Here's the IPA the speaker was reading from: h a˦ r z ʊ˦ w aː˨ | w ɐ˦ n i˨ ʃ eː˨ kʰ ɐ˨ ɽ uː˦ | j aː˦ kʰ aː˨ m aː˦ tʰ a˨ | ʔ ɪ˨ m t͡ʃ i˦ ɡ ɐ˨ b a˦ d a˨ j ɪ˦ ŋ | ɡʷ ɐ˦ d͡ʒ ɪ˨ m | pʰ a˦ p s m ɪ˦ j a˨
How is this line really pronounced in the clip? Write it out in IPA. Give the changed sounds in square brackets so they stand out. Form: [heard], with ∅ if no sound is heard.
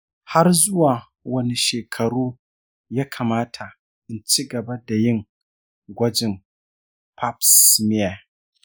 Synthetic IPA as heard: h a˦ r z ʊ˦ w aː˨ | w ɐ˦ n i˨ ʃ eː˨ kʰ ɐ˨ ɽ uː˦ | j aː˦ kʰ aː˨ m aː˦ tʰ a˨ | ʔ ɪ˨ [n] t͡ʃ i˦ ɡ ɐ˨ b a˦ d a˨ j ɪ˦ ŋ | ɡʷ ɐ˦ d͡ʒ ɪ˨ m | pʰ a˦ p s m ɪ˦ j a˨